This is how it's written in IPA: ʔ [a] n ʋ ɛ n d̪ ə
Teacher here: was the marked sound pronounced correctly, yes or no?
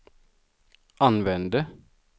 no